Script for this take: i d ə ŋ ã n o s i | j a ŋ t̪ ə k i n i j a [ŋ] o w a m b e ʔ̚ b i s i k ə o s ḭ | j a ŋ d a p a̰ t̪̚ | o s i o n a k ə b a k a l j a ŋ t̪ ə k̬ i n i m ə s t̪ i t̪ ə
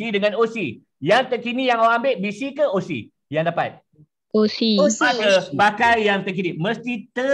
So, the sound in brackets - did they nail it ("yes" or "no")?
yes